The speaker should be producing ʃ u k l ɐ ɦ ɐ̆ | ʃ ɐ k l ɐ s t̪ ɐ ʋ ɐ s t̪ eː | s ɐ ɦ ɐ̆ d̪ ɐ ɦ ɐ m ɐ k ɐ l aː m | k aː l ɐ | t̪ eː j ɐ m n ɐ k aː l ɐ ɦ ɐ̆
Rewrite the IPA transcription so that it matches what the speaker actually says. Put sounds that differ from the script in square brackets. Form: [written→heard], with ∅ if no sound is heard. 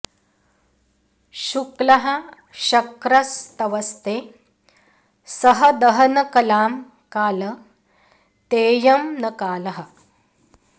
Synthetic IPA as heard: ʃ u k l ɐ ɦ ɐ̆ | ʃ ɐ k [l→ɾ] ɐ s t̪ ɐ ʋ ɐ s t̪ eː | s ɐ ɦ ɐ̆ d̪ ɐ ɦ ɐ [m→n] ɐ k ɐ l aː m | k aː l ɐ | t̪ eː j ɐ m n ɐ k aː l ɐ ɦ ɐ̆